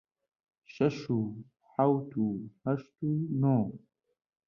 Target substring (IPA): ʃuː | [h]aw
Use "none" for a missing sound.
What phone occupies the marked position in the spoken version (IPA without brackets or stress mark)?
ħ